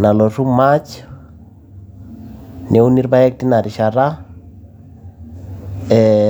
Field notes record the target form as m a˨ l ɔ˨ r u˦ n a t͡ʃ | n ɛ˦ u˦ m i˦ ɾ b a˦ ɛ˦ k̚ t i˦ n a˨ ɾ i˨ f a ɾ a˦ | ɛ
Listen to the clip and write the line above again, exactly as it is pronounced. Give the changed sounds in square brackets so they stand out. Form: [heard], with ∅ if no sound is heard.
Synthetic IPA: [n] a˨ l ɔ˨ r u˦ [m] a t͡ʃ | n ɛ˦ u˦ [n] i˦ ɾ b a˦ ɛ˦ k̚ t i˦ n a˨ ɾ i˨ [ʃ] a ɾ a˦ | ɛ